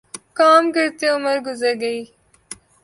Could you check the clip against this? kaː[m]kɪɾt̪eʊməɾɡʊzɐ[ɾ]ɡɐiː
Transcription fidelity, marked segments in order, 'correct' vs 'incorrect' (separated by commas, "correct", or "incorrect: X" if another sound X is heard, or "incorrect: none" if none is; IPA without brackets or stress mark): correct, correct